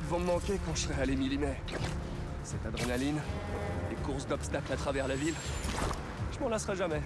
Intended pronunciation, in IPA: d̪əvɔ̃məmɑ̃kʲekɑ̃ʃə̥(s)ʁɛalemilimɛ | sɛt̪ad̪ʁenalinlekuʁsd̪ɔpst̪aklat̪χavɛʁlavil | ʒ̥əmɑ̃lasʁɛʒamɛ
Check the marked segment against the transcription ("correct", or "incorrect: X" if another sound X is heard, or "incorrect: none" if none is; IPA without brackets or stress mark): correct